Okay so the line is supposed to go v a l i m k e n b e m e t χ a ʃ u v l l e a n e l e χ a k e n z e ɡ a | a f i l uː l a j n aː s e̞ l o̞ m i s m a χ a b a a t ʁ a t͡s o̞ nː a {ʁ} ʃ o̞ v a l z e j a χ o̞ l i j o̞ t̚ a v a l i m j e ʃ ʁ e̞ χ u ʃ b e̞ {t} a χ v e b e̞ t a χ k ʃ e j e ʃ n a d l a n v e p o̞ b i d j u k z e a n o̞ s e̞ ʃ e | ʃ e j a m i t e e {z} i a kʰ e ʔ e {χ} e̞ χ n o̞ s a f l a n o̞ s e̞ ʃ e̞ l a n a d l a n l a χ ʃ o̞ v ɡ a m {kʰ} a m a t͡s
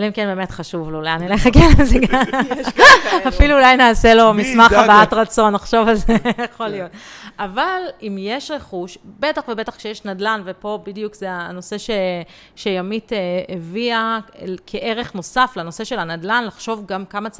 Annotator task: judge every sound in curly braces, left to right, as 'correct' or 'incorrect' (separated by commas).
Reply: incorrect, correct, incorrect, incorrect, incorrect